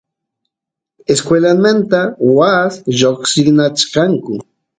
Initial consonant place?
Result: alveolar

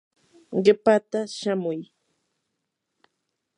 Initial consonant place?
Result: uvular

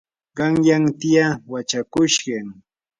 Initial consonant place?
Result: uvular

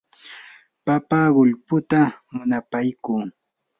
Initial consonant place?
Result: labial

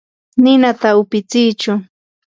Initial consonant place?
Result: alveolar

